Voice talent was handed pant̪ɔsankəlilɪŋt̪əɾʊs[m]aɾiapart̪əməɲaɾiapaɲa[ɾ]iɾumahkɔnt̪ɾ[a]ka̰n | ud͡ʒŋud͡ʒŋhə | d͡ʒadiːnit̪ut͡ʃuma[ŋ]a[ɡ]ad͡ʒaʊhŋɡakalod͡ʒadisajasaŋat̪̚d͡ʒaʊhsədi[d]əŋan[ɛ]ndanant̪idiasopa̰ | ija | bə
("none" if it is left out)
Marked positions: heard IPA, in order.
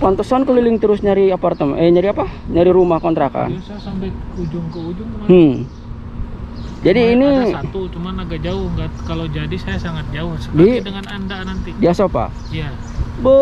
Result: ɲ, ɾ, a, n, ɡ, d, a

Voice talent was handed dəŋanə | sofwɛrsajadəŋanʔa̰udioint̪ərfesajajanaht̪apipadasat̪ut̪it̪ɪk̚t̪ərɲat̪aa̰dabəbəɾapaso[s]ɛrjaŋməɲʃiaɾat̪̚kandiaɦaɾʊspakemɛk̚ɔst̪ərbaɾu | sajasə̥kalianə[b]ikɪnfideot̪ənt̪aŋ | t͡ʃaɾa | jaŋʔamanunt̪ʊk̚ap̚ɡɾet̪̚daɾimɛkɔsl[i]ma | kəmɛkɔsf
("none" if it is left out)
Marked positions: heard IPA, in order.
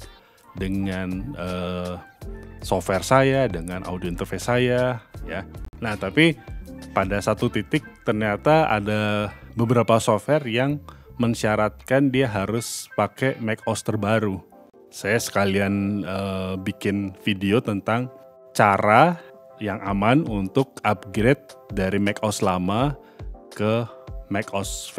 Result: f, b, a

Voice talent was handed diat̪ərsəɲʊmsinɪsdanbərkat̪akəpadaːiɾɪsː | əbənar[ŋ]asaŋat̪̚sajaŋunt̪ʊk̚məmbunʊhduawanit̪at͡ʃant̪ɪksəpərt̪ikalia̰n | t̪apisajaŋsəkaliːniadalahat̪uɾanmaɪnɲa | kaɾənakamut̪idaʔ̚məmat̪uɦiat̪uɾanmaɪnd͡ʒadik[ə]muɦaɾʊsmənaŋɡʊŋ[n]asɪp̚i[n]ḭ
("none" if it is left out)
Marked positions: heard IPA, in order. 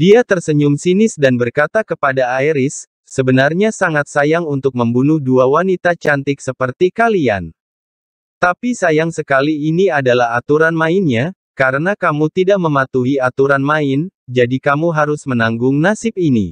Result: ɲ, a, n, n

